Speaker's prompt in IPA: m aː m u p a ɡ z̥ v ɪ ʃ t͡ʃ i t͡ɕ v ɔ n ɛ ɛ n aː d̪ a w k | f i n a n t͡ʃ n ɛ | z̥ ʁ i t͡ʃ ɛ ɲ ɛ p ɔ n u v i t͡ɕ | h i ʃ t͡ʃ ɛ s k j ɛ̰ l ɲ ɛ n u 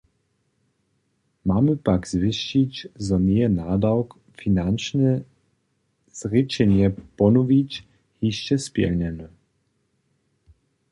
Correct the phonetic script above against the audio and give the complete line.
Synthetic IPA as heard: m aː m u p a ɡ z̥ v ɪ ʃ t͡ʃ i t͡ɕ z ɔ n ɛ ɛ n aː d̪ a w k | f i n a n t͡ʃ n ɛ | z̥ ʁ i t͡ʃ ɛ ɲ ɛ p ɔ n u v i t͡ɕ | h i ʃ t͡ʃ ɛ s p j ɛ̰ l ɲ ɛ n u